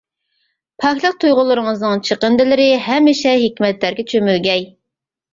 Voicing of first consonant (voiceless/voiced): voiceless